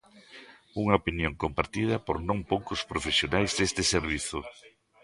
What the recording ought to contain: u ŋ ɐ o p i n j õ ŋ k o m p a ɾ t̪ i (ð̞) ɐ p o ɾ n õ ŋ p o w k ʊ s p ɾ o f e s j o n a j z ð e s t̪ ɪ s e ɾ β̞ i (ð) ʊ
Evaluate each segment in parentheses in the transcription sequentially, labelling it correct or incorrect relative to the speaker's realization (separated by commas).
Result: correct, incorrect